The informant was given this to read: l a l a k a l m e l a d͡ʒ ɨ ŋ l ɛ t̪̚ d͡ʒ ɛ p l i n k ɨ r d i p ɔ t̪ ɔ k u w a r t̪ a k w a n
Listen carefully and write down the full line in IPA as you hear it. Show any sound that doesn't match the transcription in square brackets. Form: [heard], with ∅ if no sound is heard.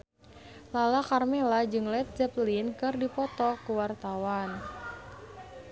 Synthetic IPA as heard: l a l a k a [r] m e l a d͡ʒ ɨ ŋ l ɛ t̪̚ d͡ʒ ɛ p l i n k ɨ r d i p ɔ t̪ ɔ k u w a r t̪ a [∅] w a n